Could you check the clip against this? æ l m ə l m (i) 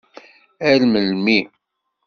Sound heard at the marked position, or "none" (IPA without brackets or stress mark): i